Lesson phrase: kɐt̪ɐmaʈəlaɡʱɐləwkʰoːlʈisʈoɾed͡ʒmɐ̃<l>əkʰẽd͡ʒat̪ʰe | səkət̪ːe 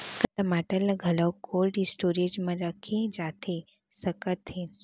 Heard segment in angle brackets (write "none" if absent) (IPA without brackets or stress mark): ɾ